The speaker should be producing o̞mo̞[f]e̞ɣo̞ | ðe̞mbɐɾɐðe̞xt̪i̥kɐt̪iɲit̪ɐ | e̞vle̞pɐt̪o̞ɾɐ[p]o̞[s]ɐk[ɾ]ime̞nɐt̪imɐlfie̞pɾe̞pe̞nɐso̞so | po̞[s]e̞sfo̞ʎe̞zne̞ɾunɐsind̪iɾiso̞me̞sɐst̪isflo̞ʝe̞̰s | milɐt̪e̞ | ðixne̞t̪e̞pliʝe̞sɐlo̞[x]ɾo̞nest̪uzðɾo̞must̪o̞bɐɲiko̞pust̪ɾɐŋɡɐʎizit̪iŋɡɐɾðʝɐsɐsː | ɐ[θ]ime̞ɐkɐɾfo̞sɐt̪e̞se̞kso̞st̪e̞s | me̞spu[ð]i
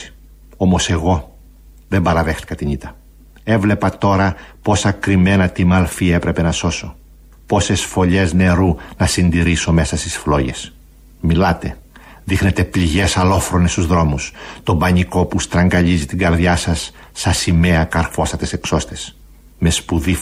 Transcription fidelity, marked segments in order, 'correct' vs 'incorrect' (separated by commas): incorrect, correct, correct, correct, correct, incorrect, incorrect, correct